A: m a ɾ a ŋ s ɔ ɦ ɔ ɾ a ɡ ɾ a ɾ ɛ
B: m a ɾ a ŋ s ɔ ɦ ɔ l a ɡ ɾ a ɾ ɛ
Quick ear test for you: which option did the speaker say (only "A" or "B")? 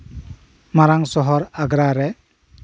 A